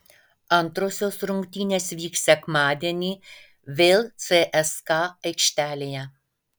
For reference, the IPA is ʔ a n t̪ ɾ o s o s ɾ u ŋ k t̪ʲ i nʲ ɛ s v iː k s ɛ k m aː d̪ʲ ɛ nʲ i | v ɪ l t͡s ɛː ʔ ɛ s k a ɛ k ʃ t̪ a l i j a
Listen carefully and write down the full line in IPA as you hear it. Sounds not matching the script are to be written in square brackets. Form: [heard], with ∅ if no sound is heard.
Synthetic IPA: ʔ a n t̪ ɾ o s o s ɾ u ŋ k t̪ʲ i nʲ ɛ s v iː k s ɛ k m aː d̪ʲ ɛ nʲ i | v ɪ l t͡s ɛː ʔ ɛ s k a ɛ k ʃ t̪ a l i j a

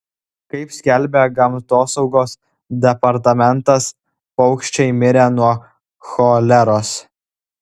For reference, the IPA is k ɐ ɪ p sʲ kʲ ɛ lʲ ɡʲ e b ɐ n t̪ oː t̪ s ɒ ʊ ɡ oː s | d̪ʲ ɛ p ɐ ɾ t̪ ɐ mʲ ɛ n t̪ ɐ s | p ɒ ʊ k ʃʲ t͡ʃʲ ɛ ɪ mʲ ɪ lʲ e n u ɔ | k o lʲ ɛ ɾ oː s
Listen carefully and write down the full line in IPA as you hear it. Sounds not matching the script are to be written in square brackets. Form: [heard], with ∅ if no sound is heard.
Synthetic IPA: k ɐ ɪ p sʲ kʲ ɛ lʲ [bʲ] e [ɡ] ɐ [m] t̪ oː [∅] s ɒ ʊ ɡ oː s | d̪ʲ ɛ p ɐ ɾ t̪ ɐ mʲ ɛ n t̪ ɐ s | p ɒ ʊ k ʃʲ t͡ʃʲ ɛ ɪ mʲ ɪ [ɾʲ] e n u ɔ | [x] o lʲ ɛ ɾ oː s

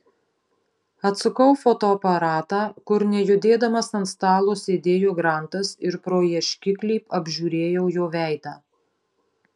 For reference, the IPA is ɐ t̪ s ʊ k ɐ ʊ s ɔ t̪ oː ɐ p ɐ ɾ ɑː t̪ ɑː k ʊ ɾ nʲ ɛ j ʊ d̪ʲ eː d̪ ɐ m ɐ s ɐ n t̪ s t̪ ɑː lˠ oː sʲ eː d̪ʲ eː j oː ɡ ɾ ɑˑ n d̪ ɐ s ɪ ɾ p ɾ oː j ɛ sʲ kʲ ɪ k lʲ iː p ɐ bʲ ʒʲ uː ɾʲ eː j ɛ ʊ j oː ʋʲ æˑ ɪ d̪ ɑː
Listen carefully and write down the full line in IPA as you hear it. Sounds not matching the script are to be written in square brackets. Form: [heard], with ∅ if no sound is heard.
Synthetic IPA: ɐ t̪ s ʊ k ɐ ʊ [f] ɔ t̪ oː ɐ p ɐ ɾ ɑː t̪ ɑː k ʊ ɾ nʲ ɛ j ʊ d̪ʲ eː d̪ ɐ m ɐ s ɐ n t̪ s t̪ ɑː lˠ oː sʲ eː d̪ʲ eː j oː ɡ ɾ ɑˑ n [t̪] ɐ s ɪ ɾ p ɾ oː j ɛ [ʃʲ] kʲ ɪ k lʲ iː p ɐ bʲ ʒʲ uː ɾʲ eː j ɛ ʊ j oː ʋʲ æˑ ɪ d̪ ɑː

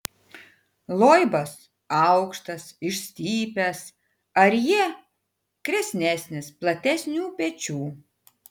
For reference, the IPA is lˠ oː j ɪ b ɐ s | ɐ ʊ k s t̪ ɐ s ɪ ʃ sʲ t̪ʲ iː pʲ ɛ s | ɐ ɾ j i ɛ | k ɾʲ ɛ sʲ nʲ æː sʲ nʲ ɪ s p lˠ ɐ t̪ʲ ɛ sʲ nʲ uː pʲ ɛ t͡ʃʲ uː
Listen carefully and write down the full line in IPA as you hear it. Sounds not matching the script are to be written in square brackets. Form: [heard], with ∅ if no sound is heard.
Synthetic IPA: lˠ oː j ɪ b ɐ s | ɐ ʊ k [ʃ] t̪ ɐ s ɪ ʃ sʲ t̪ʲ iː pʲ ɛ s | ɐ ɾ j i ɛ | k ɾʲ ɛ sʲ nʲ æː sʲ nʲ ɪ s p lˠ ɐ t̪ʲ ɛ sʲ nʲ uː pʲ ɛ t͡ʃʲ uː

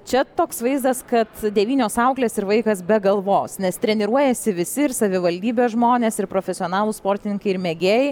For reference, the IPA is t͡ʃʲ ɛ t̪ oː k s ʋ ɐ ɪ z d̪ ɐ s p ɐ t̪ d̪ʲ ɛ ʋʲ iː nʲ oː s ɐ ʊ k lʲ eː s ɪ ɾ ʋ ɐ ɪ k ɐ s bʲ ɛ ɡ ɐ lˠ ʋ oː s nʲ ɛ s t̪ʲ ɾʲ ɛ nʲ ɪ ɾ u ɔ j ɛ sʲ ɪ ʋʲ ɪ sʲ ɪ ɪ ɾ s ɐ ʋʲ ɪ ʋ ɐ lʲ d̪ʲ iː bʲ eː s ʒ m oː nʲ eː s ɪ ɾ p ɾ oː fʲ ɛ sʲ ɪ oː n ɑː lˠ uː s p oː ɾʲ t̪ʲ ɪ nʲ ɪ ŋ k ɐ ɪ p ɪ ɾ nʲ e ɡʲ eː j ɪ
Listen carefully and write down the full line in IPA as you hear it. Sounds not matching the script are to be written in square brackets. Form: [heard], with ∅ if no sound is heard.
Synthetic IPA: t͡ʃʲ ɛ t̪ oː k s ʋ ɐ ɪ z d̪ ɐ s [k] ɐ t̪ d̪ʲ ɛ ʋʲ iː nʲ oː s ɐ ʊ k lʲ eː s ɪ ɾ ʋ ɐ ɪ k ɐ s bʲ ɛ ɡ ɐ lˠ ʋ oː s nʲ ɛ s t̪ʲ ɾʲ ɛ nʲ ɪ ɾ u ɔ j ɛ sʲ ɪ ʋʲ ɪ sʲ ɪ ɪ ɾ s ɐ ʋʲ ɪ ʋ ɐ lʲ d̪ʲ iː bʲ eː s ʒ m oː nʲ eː s ɪ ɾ p ɾ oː fʲ ɛ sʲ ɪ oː n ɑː lˠ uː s p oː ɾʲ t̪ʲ ɪ nʲ ɪ ŋ k ɐ ɪ [∅] ɪ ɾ [mʲ] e ɡʲ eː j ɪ

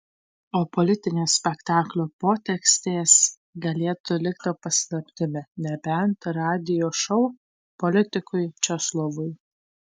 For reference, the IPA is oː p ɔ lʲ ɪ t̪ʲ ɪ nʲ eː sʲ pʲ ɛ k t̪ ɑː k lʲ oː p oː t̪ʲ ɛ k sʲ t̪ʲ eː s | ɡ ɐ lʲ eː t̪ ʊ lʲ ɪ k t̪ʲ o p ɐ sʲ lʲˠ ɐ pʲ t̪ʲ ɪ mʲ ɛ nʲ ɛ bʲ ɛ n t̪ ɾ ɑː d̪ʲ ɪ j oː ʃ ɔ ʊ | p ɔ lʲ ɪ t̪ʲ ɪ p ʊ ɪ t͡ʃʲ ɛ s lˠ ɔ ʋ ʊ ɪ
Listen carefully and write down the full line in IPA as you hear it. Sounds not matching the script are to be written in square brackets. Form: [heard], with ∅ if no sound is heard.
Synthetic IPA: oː p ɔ lʲ ɪ t̪ʲ ɪ nʲ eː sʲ pʲ ɛ k t̪ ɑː k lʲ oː p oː t̪ʲ ɛ k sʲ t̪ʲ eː s | ɡ ɐ lʲ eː t̪ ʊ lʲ ɪ k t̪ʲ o p ɐ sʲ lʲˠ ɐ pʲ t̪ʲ ɪ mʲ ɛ nʲ ɛ bʲ ɛ n t̪ ɾ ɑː d̪ʲ ɪ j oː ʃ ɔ ʊ | p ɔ lʲ ɪ t̪ʲ ɪ [k] ʊ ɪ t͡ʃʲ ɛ s lˠ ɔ ʋ ʊ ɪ

